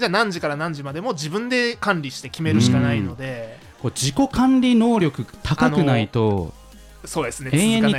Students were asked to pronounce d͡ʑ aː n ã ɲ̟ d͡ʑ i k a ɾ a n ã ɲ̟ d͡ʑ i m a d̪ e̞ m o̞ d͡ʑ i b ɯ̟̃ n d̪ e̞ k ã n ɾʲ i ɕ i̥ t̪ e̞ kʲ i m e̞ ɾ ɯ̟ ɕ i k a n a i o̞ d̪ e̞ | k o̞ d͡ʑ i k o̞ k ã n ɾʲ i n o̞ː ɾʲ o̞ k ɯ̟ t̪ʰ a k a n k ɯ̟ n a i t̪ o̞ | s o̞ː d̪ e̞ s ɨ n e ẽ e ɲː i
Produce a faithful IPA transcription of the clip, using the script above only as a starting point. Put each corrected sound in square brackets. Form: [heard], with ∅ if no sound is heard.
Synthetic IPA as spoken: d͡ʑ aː n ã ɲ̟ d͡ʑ i k a ɾ a n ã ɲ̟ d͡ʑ i m a d̪ e̞ m o̞ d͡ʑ i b ɯ̟̃ n d̪ e̞ k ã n ɾʲ i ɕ i̥ t̪ e̞ kʲ i m e̞ ɾ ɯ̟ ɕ i k a n a i o̞ d̪ e̞ | k o̞ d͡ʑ i k o̞ k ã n ɾʲ i n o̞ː ɾʲ o̞ k ɯ̟ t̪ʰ a k a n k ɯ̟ n a i t̪ o̞ | s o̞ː d̪ e̞ s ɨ n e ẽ e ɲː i